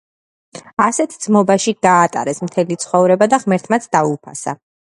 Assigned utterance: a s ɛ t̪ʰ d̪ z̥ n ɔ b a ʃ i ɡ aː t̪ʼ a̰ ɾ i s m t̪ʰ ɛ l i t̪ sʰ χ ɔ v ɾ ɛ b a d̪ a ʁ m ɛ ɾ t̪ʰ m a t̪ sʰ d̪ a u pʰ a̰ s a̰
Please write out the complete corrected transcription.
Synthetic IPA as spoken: a s ɛ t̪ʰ d̪ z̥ m ɔ b a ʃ i ɡ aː t̪ʼ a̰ ɾ ɛ s m t̪ʰ ɛ l i t̪ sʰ χ ɔ v ɾ ɛ b a d̪ a ʁ m ɛ ɾ t̪ʰ m a t̪ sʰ d̪ a u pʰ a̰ s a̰